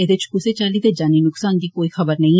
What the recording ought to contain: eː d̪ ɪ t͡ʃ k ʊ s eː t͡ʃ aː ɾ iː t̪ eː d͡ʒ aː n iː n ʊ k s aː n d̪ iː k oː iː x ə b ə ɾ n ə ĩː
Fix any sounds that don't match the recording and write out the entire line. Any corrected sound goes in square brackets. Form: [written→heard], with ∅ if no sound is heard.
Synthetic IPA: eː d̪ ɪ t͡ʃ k ʊ s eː t͡ʃ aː [ɾ→l] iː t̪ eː d͡ʒ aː n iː n ʊ k s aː n d̪ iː k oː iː x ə b ə ɾ n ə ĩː